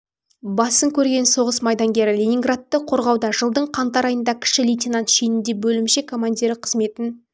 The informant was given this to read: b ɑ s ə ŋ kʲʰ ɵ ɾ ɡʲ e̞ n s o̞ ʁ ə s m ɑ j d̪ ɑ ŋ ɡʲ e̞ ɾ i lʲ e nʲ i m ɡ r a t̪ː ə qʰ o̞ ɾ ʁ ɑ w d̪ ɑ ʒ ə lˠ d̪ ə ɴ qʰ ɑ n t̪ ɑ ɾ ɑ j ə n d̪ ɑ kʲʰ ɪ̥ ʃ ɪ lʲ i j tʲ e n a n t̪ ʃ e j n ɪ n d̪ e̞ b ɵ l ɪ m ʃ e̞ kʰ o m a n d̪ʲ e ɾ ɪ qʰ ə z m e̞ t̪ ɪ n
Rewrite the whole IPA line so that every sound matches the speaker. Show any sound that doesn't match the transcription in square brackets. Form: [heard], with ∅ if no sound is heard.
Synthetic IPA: b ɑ s ə ŋ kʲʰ ɵ ɾ ɡʲ e̞ n s o̞ ʁ ə s m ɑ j d̪ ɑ ŋ ɡʲ e̞ ɾ [ɪ] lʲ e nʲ i [ŋ] ɡ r a t̪ː ə qʰ o̞ ɾ ʁ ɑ w d̪ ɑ ʒ ə lˠ d̪ ə ɴ qʰ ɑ n t̪ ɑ ɾ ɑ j ə n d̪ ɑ kʲʰ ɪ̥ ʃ ɪ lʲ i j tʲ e n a n t̪ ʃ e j n ɪ n d̪ e̞ b ɵ l ɪ m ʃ e̞ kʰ o m a n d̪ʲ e ɾ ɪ qʰ ə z m e̞ t̪ ɪ n